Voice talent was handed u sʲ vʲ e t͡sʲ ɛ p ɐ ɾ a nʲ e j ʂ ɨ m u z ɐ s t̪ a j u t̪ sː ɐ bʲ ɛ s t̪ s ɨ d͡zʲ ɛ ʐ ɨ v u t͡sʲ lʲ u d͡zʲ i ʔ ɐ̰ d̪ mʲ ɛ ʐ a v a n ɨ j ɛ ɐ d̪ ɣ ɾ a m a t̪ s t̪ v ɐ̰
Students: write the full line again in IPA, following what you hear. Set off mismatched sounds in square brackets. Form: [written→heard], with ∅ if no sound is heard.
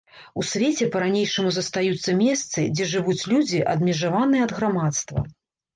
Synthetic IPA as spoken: u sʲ vʲ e t͡sʲ ɛ p ɐ ɾ a nʲ e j ʂ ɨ m u z ɐ s t̪ a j u t̪ sː ɐ [bʲ→mʲ] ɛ s t̪ s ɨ d͡zʲ ɛ ʐ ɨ v u t͡sʲ lʲ u d͡zʲ i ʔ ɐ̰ d̪ mʲ ɛ ʐ a v a n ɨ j ɛ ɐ d̪ ɣ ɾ a m a t̪ s t̪ v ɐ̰